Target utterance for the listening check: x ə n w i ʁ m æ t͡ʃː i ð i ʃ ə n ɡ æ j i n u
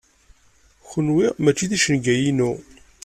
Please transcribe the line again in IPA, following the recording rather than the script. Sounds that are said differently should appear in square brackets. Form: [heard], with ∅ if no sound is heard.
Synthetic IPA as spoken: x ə n w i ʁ m æ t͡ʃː i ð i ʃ ə n ɡ æ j i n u